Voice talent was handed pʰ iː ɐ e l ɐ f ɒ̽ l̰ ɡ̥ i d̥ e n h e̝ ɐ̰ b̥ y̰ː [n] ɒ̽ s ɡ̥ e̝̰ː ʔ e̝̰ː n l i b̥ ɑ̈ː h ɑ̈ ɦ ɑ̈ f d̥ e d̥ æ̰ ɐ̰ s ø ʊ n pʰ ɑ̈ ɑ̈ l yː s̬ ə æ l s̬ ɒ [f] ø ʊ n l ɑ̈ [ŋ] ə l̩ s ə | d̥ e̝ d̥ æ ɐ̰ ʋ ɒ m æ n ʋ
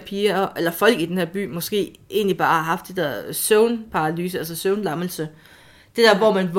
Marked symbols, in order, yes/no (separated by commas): no, no, no